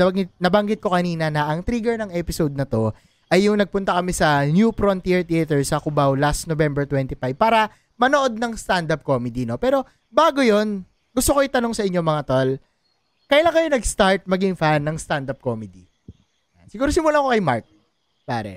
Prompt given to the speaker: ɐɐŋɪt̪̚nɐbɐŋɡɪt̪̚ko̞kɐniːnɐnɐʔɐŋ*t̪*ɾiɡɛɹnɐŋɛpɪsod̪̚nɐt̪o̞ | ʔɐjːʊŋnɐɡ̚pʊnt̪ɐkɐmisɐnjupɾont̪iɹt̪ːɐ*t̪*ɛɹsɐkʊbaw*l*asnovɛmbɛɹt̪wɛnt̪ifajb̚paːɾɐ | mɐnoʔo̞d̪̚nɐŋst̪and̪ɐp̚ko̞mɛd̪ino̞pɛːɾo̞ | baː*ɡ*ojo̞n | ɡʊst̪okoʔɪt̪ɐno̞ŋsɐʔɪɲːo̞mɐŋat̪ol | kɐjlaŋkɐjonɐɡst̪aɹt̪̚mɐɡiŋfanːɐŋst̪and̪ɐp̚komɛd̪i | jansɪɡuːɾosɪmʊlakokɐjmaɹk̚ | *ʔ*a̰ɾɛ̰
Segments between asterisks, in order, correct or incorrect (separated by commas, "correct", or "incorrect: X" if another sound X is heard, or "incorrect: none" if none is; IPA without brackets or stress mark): correct, correct, correct, correct, incorrect: p